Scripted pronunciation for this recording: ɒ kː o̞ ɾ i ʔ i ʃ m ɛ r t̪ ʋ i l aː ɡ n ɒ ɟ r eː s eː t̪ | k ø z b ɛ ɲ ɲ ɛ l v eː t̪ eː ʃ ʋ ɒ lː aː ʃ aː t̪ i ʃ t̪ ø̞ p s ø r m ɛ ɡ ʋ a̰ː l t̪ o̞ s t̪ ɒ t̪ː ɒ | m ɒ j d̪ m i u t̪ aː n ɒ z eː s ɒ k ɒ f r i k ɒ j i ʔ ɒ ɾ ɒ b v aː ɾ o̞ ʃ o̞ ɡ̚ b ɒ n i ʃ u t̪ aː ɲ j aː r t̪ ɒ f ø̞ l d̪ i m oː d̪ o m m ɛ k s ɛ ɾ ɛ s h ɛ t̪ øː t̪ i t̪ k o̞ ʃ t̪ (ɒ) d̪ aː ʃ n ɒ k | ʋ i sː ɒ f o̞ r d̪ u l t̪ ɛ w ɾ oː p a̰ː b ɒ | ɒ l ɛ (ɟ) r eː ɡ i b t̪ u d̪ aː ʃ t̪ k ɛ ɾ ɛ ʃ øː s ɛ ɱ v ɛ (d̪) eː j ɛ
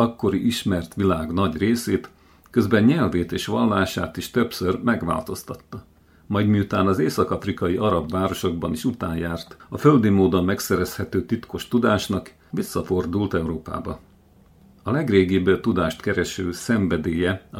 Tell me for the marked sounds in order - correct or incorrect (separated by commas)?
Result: incorrect, incorrect, correct